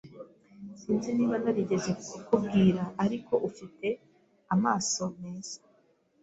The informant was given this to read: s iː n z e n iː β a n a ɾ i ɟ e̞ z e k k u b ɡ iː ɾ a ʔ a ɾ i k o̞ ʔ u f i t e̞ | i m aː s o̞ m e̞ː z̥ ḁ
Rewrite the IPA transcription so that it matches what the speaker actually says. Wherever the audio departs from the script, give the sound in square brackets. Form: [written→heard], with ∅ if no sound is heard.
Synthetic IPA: s iː n z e n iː β a n a ɾ i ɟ e̞ z e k k u b ɡ iː ɾ a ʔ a ɾ i k o̞ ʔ u f i t e̞ | [i→a] m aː s o̞ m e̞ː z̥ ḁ